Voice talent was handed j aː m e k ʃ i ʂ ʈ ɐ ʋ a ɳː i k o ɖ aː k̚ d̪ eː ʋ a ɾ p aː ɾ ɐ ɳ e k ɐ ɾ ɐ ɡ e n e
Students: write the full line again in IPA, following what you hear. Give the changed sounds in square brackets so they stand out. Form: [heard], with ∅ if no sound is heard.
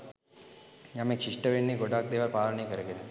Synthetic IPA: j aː m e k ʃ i ʂ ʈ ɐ ʋ [e] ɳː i [ɡ] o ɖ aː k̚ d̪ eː ʋ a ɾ p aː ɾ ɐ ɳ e k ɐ ɾ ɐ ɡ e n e